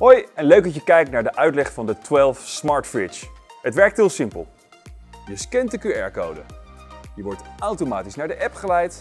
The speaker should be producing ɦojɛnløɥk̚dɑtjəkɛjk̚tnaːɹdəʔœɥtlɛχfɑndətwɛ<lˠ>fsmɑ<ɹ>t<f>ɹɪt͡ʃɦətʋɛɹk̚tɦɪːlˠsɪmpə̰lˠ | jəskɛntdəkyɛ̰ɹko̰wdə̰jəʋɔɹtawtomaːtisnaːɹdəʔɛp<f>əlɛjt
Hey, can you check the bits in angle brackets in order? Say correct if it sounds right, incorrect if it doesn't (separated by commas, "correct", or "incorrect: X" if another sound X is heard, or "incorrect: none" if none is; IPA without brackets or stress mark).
correct, correct, correct, incorrect: χ